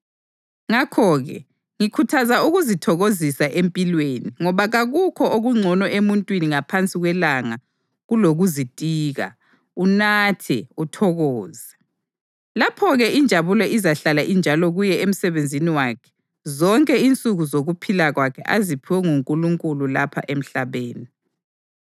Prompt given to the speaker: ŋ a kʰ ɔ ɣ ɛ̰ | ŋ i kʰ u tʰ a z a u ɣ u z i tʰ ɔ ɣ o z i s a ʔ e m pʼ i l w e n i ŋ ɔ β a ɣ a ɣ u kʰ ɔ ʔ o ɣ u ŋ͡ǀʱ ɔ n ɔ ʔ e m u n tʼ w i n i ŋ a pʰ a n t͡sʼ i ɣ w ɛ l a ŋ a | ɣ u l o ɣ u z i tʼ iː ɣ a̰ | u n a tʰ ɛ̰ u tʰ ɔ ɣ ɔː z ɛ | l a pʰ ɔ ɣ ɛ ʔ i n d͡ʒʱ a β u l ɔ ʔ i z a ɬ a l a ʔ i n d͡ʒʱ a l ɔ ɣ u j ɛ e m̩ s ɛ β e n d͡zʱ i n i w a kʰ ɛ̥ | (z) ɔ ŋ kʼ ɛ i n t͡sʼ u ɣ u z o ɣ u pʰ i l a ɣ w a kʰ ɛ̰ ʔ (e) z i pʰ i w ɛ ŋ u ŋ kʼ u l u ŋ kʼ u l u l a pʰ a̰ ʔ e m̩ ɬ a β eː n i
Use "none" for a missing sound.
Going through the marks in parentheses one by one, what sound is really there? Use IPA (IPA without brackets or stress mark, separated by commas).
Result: z, a